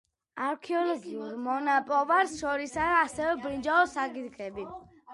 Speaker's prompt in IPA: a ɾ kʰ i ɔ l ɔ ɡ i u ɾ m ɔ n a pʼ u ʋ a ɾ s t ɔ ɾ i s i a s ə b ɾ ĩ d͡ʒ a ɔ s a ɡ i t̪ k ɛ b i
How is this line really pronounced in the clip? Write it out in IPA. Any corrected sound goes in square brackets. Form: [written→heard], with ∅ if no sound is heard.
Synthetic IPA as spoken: a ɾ kʰ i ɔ l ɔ ɡ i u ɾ m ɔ n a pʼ [u→ɔ] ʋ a ɾ s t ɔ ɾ i s [i→a] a s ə b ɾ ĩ d͡ʒ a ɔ s a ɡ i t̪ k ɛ b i